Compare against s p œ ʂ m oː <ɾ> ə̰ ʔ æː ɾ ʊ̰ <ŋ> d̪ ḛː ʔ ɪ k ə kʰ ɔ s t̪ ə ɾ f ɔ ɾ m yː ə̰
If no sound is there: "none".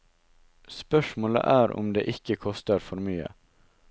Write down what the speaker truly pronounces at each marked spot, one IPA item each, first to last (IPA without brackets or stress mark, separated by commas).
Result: l, m